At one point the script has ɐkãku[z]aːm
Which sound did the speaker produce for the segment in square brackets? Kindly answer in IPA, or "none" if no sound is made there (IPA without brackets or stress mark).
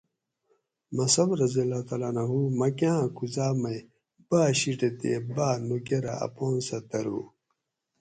z